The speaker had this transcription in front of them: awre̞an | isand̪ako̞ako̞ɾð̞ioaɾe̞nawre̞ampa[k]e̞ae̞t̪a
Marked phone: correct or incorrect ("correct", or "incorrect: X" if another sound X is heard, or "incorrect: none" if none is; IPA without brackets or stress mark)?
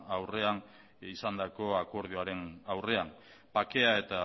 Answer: correct